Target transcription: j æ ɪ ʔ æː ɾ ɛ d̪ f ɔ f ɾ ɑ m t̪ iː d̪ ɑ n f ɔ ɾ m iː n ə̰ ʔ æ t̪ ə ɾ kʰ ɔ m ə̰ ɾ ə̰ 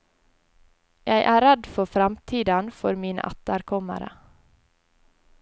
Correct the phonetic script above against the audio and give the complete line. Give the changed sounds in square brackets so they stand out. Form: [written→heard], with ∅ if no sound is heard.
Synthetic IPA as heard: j æ ɪ ʔ æː ɾ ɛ d̪ f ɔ f ɾ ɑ m [t̪→t̪ʰ] iː d̪ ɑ n f ɔ ɾ m iː n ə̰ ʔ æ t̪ ə ɾ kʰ ɔ m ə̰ ɾ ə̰